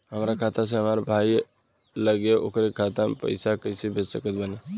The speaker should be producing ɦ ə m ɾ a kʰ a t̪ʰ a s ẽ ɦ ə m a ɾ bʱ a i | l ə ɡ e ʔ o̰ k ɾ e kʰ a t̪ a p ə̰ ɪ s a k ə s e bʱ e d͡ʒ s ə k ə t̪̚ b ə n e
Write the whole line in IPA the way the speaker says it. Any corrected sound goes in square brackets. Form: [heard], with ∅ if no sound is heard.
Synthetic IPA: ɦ ə m ɾ a kʰ a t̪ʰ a s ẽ ɦ ə m a ɾ bʱ a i | l ə ɡ e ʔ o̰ k ɾ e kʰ a t̪ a p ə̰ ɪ s a k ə s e bʱ e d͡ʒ s ə k ə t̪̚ b ə n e